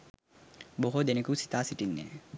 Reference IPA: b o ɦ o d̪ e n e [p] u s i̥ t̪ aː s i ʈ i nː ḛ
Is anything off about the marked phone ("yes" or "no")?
yes